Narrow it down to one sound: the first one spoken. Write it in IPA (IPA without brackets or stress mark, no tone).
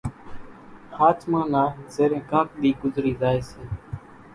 h